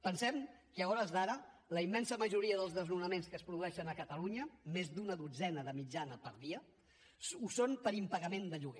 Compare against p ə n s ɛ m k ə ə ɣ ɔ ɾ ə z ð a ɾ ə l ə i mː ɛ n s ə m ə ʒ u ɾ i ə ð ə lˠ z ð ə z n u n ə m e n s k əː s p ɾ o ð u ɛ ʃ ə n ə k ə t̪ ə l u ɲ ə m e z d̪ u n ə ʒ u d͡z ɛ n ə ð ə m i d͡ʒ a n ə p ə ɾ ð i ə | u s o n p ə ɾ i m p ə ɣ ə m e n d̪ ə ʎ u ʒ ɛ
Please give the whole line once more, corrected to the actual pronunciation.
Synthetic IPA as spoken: p ə n s ɛ m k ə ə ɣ ɔ ɾ ə z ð a ɾ ə l ə i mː ɛ n s ə m ə ʒ u ɾ i ə ð ə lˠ z ð ə z n u n ə m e n s k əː s p ɾ u ð u ɛ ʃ ə n ə k ə t̪ ə l u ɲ ə m e z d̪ u n ə ð u d͡z ɛ n ə ð ə m i d͡ʒ a n ə p ə ɾ ð i ə | u s o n p ə ɾ i m p ə ɣ ə m e n d̪ ə ʎ u ɣ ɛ